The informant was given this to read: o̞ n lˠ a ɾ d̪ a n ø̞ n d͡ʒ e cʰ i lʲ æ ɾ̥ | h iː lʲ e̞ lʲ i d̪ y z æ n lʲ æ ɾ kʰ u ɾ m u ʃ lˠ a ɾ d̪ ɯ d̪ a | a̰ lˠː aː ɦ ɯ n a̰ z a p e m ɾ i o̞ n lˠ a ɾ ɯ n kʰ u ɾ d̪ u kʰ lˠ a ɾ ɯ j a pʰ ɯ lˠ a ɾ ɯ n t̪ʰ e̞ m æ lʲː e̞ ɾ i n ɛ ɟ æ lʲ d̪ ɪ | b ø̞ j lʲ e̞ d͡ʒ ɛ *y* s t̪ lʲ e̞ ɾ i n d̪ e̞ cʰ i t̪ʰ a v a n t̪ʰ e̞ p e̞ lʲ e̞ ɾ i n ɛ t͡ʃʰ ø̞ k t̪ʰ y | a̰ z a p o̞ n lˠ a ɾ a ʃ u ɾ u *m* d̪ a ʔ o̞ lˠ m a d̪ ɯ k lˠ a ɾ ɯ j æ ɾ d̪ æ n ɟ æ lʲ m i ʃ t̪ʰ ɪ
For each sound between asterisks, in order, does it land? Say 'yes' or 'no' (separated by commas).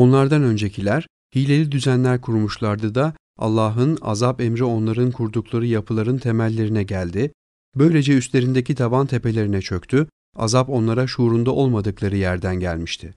yes, no